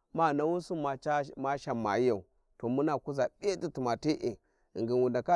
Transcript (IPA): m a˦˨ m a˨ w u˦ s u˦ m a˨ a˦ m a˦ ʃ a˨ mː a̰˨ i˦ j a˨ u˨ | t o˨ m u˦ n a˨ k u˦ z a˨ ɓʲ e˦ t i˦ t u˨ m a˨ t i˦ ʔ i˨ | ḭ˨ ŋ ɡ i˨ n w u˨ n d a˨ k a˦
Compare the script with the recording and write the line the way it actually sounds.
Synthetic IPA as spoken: m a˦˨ n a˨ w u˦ s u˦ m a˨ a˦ m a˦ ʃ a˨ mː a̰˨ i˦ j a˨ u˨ | t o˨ m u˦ n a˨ k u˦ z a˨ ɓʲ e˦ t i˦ t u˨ m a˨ t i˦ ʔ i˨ | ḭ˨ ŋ ɡ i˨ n w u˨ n d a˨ k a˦